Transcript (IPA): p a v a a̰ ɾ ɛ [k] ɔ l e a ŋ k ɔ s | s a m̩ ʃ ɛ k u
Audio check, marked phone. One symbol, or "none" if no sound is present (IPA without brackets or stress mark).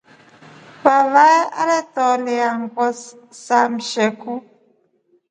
t